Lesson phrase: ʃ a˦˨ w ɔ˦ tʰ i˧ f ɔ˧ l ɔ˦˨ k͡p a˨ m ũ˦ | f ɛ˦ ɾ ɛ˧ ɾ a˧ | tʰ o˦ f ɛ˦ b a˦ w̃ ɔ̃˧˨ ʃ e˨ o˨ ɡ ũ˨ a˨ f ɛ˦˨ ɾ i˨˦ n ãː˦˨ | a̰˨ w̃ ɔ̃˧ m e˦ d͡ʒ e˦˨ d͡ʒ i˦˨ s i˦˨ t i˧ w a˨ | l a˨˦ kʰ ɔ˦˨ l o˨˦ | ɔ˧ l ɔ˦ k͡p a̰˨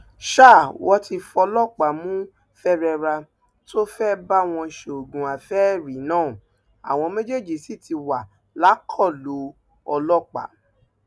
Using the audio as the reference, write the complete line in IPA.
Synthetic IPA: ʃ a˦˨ w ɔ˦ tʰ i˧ f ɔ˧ l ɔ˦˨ k͡p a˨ m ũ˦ | f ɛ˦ ɾ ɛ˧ ɾ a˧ | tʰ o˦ f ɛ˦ b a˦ w̃ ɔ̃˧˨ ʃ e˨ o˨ ɡ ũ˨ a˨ f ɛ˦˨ ɾ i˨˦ n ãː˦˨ | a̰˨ w̃ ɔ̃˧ m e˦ d͡ʒ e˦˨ d͡ʒ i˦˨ s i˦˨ t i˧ w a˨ | l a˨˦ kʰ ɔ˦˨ l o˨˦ | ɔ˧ l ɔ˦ k͡p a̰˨